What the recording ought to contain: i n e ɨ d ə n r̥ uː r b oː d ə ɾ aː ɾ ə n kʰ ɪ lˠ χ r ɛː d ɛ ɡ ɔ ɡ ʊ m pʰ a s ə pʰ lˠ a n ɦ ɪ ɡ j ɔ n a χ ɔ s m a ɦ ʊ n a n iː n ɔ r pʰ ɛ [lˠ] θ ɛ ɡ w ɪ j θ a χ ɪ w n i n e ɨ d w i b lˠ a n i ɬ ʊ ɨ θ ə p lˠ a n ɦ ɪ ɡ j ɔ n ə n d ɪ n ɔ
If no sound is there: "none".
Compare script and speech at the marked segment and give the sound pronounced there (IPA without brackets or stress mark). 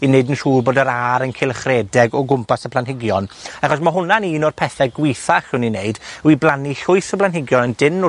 none